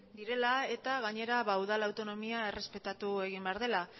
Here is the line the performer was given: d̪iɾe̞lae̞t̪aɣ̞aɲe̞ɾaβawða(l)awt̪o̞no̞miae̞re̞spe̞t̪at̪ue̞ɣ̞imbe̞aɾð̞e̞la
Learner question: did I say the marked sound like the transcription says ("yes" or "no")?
yes